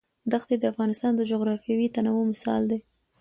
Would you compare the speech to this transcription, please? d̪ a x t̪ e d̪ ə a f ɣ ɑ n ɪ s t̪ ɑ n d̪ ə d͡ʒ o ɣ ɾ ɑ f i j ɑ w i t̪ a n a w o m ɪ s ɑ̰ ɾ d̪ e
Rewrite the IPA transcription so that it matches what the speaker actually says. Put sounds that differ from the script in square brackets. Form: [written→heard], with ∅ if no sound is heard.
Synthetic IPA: d̪ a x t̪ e d̪ ə a f ɣ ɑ n ɪ s t̪ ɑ n d̪ ə d͡ʒ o ɣ ɾ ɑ f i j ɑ w i t̪ a n a w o m ɪ s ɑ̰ [ɾ→l] d̪ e